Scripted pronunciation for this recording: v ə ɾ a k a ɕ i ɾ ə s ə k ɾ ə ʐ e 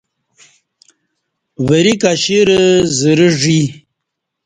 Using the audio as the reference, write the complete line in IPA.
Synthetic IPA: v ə ɾ i k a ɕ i ɾ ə z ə ɾ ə ʐ i